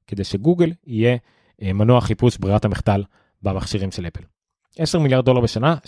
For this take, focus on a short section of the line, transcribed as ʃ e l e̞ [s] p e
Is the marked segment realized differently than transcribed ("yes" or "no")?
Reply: yes